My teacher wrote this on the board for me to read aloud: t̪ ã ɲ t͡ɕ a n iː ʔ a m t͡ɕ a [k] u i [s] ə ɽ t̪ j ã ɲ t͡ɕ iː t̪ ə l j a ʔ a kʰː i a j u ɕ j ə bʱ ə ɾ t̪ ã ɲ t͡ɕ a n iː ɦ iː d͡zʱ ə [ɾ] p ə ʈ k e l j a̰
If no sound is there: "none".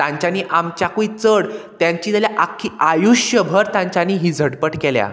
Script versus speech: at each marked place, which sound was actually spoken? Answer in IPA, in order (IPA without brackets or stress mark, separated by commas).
k, t͡s, ɽ